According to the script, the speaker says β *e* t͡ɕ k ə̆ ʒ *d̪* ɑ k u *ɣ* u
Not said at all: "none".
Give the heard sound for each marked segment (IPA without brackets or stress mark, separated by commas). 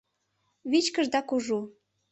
i, d̪, ʒ